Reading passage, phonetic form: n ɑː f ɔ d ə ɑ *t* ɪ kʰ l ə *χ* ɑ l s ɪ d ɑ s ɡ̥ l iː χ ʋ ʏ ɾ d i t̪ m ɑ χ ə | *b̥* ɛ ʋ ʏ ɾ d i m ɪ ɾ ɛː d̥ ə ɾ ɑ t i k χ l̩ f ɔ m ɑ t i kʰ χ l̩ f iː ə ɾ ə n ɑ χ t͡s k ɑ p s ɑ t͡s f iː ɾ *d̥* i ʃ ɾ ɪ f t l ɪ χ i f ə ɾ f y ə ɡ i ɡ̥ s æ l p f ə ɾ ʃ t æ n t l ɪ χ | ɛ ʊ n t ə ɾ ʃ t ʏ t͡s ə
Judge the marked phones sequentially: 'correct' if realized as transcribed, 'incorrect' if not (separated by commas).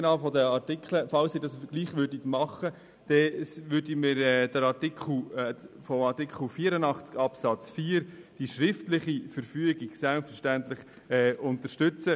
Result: correct, incorrect, incorrect, correct